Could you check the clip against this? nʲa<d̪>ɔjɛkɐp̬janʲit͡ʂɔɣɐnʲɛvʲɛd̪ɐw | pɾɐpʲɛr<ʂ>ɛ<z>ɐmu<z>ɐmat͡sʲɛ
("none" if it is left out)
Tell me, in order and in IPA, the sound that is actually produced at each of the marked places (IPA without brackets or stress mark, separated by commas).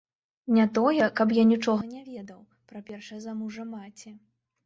t̪, ʂ, z, ʐ